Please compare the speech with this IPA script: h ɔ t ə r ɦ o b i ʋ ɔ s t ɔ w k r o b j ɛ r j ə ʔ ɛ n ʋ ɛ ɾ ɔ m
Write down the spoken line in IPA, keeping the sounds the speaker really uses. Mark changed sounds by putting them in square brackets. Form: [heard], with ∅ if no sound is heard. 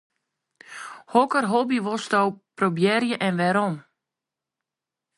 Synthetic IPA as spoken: h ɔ [k] ə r ɦ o b i ʋ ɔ s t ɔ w [p] r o b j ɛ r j ə ʔ ɛ n ʋ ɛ ɾ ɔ m